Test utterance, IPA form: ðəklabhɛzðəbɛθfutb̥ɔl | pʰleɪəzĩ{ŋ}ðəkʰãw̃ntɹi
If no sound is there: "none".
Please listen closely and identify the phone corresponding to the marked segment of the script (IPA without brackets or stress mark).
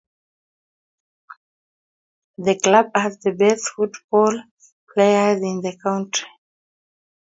n